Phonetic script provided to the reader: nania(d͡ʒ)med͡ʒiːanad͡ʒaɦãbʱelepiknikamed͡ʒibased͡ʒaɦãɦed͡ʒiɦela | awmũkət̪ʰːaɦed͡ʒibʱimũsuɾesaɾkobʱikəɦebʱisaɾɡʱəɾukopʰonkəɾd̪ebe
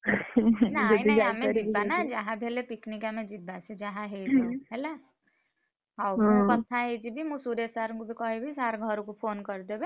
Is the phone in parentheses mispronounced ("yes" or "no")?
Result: yes